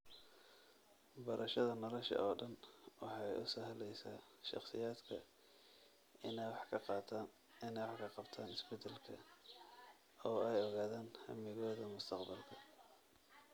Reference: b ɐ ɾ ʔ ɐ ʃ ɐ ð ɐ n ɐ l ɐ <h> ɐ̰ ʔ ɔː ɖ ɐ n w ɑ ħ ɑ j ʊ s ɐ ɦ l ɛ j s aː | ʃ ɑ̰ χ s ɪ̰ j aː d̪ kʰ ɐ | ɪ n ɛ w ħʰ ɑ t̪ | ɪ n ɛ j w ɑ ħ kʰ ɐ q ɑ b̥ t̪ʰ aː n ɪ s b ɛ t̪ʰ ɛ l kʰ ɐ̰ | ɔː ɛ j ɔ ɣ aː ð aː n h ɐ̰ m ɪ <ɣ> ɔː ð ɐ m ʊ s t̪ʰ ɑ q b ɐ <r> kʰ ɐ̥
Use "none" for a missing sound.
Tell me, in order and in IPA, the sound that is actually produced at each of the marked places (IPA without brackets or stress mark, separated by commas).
ʃ, ɣ, l